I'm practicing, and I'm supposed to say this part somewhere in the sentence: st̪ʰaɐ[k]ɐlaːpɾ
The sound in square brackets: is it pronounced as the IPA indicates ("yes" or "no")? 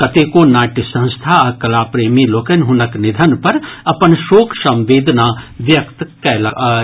yes